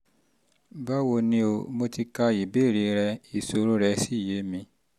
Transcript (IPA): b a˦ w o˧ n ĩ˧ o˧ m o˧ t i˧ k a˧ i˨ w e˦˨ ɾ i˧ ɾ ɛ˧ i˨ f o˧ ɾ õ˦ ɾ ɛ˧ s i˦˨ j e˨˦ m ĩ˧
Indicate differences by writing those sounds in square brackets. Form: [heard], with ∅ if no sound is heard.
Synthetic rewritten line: b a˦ w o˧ n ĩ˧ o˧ m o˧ t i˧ k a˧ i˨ [b] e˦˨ ɾ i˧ ɾ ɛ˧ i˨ [s] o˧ ɾ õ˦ ɾ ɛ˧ s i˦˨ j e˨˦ m ĩ˧